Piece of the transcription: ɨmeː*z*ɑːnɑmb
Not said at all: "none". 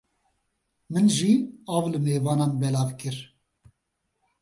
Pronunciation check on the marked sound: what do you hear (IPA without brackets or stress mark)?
v